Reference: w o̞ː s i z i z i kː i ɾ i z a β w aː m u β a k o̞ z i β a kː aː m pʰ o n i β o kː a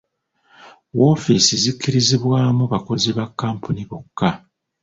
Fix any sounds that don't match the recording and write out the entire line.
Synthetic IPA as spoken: w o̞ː f i s i z i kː i ɾ i z i β w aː m u β a k o̞ z i β a kː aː m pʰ u n i β o kː a